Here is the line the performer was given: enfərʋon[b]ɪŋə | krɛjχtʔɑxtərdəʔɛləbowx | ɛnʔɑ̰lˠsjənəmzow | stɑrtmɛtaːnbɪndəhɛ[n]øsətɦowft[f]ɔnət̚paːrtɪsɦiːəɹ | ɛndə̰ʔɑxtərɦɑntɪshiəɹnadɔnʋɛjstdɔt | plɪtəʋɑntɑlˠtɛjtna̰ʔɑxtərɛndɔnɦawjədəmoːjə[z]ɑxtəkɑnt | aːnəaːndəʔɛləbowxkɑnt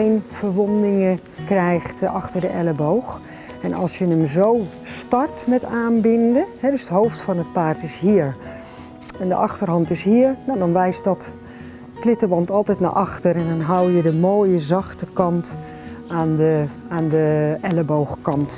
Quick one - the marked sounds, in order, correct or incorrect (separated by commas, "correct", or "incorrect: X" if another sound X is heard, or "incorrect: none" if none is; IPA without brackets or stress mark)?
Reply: incorrect: d, incorrect: d, correct, correct